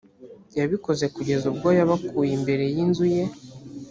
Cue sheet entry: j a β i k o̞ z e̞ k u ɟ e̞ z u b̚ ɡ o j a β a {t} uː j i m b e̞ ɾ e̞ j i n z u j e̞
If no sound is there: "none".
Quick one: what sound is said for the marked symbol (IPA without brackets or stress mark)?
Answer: k